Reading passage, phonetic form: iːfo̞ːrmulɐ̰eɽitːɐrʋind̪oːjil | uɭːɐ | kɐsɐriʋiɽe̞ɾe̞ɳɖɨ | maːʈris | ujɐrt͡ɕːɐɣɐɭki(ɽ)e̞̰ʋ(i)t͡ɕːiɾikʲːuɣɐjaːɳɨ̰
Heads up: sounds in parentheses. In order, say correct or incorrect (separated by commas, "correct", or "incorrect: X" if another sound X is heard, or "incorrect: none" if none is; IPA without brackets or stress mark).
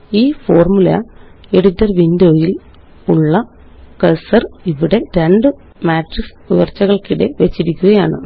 correct, incorrect: e